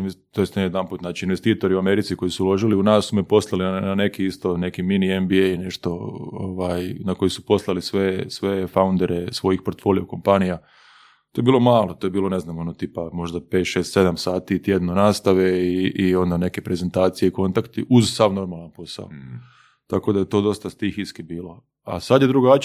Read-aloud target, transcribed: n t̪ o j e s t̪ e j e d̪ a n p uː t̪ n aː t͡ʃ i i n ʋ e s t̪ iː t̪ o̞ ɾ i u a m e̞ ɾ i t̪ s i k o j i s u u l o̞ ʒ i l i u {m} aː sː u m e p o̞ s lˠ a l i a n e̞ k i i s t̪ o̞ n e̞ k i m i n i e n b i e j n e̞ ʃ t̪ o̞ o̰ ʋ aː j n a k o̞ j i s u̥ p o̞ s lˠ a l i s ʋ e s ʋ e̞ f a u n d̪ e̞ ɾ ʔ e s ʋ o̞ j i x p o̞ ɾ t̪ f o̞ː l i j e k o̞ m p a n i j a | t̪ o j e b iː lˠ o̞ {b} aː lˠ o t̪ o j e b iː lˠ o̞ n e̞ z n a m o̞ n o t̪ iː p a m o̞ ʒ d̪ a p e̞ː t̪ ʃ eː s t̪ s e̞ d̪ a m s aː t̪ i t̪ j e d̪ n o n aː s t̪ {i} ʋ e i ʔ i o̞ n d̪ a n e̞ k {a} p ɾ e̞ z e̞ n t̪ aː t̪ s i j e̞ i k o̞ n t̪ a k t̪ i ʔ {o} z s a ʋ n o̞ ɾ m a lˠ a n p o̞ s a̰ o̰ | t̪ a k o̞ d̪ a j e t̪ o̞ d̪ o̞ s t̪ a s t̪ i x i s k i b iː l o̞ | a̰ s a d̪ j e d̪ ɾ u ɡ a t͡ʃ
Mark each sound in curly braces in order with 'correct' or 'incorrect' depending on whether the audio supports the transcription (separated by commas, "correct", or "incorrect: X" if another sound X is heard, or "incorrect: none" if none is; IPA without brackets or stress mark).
incorrect: n, incorrect: m, incorrect: a, incorrect: e, incorrect: u